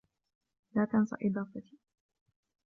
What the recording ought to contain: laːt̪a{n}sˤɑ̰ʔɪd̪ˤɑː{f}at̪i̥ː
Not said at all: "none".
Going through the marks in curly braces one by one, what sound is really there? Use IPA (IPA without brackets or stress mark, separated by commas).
n, f